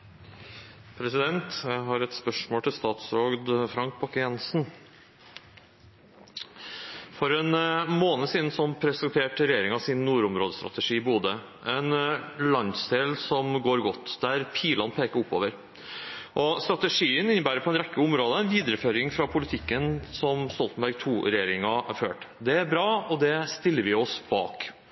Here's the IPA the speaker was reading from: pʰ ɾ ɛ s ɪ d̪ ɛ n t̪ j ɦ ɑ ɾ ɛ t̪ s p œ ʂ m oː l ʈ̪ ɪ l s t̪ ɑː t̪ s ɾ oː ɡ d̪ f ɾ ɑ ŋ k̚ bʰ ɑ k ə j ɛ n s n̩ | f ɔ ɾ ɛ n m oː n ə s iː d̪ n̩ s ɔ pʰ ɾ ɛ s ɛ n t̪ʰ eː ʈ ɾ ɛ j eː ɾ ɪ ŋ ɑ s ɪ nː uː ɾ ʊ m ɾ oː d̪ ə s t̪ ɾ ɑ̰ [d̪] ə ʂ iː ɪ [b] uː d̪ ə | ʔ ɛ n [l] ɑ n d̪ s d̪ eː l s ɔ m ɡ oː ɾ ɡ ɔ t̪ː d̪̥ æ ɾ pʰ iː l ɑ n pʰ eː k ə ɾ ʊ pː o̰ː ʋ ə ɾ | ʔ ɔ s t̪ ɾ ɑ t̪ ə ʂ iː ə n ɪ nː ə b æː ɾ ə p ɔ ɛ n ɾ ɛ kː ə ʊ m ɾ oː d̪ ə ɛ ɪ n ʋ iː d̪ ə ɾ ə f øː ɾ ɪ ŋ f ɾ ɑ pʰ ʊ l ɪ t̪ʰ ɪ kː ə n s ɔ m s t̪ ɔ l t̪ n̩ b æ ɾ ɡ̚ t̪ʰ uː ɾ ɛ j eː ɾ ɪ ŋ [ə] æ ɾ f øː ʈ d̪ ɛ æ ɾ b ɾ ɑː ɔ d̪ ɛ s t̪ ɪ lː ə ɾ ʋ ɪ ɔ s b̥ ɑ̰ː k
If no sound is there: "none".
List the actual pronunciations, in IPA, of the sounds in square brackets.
t̪, b, l, ɑ

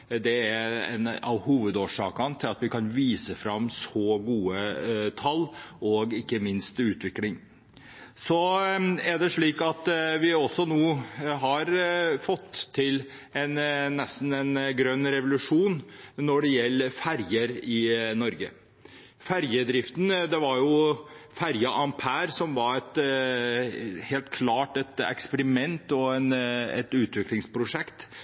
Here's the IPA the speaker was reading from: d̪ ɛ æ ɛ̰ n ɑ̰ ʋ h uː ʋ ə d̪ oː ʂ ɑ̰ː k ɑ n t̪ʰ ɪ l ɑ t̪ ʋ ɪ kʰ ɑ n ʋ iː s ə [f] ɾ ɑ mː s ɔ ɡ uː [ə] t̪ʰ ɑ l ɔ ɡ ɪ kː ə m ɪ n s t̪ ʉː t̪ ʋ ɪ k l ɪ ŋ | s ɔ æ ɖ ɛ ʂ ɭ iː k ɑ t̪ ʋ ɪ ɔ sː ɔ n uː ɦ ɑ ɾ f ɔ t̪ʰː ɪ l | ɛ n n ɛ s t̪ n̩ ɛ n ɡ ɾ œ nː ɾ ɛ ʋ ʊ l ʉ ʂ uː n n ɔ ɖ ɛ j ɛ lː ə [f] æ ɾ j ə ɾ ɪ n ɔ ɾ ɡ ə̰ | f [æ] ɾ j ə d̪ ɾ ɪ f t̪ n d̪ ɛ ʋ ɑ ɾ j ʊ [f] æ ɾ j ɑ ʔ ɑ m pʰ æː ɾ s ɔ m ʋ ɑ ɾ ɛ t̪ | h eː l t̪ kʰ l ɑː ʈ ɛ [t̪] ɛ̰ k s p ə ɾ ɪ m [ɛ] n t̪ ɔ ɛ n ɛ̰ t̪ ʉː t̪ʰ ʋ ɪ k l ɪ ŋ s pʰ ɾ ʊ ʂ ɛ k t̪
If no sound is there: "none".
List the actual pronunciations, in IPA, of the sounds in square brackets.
f, ə, f, æ, f, t̪, ɛ

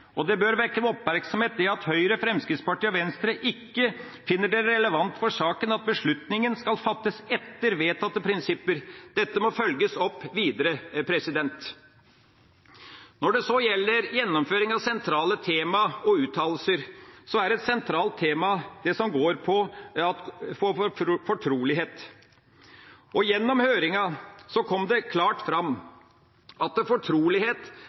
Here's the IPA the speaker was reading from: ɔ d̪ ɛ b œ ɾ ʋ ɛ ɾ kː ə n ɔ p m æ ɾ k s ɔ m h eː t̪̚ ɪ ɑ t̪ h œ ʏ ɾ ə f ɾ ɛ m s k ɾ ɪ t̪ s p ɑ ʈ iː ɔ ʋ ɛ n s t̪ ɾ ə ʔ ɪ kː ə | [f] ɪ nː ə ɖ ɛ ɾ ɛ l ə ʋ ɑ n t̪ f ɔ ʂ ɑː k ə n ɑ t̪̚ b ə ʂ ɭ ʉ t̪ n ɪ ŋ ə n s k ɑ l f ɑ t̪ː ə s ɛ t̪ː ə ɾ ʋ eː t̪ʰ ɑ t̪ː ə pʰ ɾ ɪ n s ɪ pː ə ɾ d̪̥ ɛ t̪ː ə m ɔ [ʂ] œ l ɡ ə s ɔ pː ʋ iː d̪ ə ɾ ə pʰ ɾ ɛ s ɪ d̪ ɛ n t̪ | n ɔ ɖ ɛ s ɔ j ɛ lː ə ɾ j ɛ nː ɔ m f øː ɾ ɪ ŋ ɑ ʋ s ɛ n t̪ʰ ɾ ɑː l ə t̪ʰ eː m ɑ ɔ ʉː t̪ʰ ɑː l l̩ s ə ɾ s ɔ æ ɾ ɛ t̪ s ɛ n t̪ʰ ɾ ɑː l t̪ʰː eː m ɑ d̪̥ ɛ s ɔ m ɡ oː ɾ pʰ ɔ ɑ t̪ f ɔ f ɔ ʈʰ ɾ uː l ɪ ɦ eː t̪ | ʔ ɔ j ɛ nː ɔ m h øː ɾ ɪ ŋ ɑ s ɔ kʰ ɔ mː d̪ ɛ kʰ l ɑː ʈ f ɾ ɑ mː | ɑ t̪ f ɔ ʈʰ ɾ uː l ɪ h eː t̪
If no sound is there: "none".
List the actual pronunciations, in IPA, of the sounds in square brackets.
f, f

